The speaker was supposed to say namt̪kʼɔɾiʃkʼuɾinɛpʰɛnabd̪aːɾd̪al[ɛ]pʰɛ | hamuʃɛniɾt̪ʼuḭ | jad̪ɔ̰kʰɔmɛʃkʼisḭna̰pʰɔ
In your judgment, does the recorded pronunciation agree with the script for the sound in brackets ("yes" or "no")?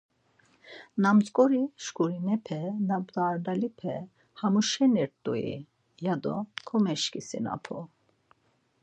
no